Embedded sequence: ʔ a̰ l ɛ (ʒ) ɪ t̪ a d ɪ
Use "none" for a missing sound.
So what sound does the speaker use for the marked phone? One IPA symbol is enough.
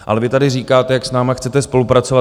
v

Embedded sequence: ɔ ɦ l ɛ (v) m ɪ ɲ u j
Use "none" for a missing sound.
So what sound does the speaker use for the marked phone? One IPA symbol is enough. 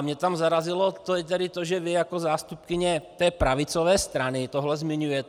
z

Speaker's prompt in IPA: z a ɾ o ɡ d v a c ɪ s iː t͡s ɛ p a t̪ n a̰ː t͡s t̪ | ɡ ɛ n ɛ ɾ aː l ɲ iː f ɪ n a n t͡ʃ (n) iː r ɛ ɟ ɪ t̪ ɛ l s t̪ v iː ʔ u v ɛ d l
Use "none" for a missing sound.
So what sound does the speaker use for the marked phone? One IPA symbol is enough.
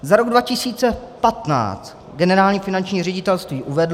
ɲ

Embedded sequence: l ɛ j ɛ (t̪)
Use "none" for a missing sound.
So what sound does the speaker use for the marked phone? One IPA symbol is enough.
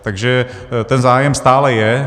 none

